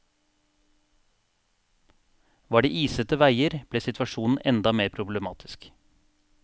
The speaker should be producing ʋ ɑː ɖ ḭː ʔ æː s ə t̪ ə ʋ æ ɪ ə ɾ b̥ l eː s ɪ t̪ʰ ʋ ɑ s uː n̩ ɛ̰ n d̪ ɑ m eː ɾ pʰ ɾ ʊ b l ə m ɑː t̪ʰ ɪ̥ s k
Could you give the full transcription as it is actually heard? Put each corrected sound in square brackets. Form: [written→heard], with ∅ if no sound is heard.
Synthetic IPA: ʋ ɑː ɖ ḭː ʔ [æː→iː] s ə t̪ ə ʋ æ ɪ ə ɾ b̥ l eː s ɪ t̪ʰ ʋ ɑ [s→ʃ] uː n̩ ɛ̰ n d̪ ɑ m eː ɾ pʰ ɾ ʊ b l ə m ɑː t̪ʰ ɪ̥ s k